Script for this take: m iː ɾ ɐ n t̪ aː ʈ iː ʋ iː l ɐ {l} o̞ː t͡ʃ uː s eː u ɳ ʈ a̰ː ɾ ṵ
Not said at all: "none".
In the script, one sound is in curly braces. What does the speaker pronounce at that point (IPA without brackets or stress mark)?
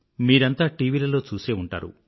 l